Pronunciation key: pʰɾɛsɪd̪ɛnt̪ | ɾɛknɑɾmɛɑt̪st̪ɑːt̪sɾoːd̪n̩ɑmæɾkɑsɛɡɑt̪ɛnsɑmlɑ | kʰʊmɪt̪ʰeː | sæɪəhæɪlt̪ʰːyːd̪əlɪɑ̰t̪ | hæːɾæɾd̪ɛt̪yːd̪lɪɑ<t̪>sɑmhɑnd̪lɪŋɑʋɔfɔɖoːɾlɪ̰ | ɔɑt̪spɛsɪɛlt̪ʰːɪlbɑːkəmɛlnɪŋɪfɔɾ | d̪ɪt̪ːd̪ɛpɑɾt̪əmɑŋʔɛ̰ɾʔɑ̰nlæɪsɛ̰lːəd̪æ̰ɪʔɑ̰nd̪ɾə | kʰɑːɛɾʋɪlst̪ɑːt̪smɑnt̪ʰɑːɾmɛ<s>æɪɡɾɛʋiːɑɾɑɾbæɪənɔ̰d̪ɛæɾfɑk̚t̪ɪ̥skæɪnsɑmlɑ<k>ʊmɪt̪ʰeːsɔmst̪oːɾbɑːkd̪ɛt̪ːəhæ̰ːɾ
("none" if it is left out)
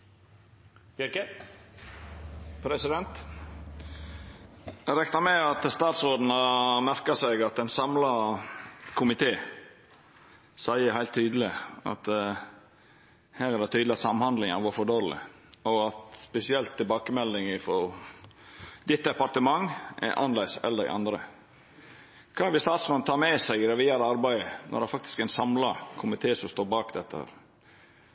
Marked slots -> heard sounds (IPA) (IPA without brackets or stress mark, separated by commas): t̪, s, kʰ